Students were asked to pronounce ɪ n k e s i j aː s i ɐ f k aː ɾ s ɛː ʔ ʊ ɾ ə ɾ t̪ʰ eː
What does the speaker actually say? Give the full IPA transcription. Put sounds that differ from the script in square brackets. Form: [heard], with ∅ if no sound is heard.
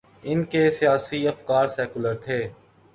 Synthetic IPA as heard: ɪ n k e s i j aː s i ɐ f k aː ɾ s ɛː [k] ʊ [l] ə ɾ t̪ʰ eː